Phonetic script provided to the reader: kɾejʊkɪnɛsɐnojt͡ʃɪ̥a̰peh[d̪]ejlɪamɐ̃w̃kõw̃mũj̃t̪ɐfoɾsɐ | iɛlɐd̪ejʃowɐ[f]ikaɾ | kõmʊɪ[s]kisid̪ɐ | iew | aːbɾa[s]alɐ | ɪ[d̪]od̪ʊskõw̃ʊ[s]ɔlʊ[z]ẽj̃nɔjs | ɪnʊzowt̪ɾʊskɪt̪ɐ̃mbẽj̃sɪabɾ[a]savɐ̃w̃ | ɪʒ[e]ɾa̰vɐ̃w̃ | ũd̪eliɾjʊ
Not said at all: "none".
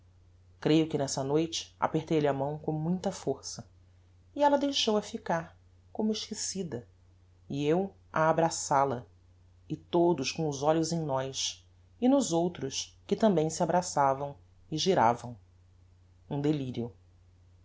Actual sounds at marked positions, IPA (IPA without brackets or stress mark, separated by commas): t̪, f, ʃ, s, t̪, z, z, a, i